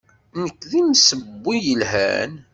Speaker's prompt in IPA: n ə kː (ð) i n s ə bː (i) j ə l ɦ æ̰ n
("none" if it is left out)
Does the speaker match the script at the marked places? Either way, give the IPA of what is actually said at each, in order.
ð, i

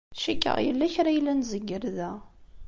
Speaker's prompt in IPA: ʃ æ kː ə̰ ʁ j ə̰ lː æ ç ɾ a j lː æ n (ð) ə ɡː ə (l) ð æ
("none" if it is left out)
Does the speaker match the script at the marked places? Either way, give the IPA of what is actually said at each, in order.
z, ɾ

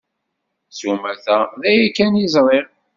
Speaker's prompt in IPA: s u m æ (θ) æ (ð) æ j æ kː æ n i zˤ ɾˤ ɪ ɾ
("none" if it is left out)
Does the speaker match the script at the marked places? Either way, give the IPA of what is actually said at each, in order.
θ, ð

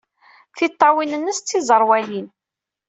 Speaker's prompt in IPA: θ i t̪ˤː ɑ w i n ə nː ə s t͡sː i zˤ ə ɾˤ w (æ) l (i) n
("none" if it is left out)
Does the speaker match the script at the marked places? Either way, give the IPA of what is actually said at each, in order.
æ, i

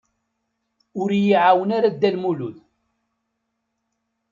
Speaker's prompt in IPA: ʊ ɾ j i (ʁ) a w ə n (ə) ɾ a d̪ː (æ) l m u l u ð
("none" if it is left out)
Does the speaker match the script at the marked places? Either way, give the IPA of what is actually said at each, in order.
ʕ, a, æ

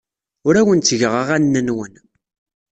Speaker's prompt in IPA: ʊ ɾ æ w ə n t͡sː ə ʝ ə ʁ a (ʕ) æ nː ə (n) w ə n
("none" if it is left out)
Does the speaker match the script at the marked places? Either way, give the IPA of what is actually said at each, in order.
ʁ, n

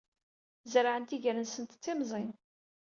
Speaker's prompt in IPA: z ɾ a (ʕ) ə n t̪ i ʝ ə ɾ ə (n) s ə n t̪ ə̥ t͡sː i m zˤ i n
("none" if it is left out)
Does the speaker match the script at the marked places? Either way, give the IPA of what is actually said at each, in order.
ʕ, n

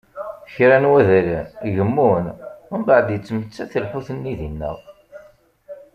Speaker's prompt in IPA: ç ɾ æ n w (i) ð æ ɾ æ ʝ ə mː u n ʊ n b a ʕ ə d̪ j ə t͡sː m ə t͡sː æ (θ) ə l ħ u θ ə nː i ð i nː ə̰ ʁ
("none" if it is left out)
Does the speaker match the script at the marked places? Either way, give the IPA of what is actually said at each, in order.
æ, θ

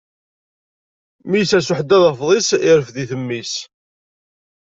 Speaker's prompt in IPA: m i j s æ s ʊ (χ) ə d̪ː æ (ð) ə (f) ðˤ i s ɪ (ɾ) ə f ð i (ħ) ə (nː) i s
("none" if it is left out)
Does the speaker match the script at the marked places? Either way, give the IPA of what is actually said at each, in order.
ħ, ð, f, ɾ, θ, mː

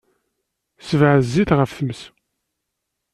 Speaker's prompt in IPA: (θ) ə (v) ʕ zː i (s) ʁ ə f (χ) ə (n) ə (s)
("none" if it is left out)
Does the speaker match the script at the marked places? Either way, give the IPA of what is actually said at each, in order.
s, v, θ, θ, m, s

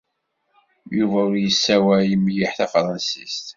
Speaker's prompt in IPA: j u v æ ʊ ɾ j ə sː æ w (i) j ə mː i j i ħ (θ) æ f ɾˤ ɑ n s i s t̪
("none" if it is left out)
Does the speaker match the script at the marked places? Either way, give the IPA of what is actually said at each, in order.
æ, θ

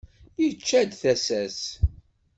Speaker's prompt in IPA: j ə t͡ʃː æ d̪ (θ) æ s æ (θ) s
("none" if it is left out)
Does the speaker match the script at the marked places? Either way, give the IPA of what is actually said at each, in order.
θ, none

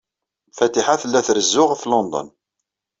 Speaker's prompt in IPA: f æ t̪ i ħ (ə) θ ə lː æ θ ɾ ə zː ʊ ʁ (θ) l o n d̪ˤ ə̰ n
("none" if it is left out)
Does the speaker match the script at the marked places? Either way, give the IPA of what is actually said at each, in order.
a, f

